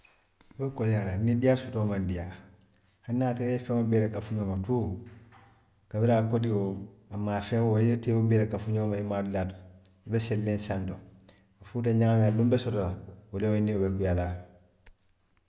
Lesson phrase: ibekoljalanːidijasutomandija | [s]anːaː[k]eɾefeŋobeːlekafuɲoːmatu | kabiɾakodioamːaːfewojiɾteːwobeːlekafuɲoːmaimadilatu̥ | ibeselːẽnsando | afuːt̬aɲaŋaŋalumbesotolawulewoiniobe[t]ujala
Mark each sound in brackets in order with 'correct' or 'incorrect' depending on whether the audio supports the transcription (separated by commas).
incorrect, incorrect, incorrect